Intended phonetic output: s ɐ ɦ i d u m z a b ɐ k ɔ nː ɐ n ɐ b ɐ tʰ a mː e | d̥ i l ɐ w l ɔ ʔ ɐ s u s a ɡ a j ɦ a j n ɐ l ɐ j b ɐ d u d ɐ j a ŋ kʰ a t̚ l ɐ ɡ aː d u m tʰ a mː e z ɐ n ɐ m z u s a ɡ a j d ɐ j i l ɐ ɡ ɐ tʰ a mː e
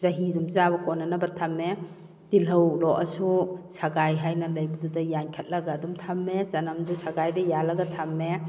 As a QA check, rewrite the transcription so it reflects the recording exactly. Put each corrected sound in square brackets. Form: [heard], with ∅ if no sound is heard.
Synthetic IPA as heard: [z] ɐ ɦ i d u m z a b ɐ k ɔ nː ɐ n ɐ b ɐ tʰ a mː e | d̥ i l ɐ w l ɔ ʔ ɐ s u s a ɡ a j ɦ a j n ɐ l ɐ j b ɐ d u d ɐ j a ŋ kʰ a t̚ l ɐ ɡ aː d u m tʰ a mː e z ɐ n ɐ m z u s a ɡ a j d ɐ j [a] l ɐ ɡ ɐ tʰ a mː e